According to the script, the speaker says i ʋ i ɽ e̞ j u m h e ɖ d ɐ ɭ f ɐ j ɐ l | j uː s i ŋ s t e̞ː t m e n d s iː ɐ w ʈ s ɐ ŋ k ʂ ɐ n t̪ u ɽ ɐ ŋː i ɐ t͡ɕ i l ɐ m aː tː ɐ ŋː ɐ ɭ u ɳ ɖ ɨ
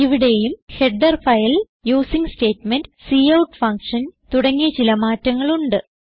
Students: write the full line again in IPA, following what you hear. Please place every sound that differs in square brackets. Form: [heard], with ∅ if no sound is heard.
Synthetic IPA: i ʋ i ɽ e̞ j u m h e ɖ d ɐ [r] f ɐ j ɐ l | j uː s i ŋ s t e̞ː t m e n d s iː ɐ w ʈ [f] ɐ ŋ k ʂ ɐ n t̪ u ɽ ɐ ŋː i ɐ t͡ɕ i l ɐ m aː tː ɐ ŋː ɐ ɭ u ɳ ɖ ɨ